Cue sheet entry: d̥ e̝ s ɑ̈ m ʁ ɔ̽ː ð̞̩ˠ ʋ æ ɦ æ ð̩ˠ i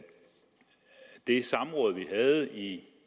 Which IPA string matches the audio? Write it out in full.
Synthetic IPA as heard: d̥ e̝ s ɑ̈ m ʁ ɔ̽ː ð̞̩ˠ ʋ i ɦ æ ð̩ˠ i